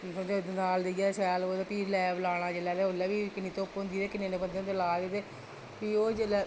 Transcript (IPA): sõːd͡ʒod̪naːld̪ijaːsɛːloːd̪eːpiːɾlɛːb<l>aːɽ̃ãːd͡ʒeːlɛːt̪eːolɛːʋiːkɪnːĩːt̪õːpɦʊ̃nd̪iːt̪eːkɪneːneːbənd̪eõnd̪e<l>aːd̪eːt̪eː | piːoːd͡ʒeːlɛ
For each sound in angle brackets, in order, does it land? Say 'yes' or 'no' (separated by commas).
yes, yes